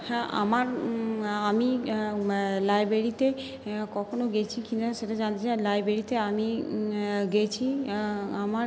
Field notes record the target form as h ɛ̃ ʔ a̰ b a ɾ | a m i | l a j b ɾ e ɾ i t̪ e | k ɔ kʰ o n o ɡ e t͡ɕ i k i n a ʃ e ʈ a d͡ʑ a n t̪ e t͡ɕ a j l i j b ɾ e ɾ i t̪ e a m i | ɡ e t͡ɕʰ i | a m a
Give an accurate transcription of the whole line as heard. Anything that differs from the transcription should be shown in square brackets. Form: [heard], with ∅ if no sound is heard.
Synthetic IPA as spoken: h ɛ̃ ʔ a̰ [m] a ɾ | a m i | l a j b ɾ e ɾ i t̪ e | k ɔ kʰ o n o ɡ e [t͡ɕʰ] i k i n a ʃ e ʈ a d͡ʑ a n t̪ e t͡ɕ a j l [a] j b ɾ e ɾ i t̪ e a m i | ɡ e t͡ɕʰ i | a m a